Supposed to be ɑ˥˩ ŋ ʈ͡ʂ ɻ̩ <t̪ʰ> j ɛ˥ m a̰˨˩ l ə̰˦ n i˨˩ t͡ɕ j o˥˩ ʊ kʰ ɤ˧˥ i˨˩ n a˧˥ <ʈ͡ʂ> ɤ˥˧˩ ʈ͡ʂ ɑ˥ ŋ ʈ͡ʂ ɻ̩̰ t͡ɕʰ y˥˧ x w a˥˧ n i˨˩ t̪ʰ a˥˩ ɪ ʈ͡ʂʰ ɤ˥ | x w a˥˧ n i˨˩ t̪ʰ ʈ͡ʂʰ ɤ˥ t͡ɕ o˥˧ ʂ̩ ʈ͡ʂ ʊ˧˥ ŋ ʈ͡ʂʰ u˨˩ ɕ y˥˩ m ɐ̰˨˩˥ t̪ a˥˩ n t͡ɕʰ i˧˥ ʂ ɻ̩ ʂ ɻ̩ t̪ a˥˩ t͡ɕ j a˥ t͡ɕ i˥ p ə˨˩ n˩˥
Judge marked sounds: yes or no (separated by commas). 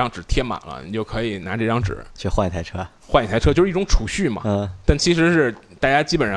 yes, yes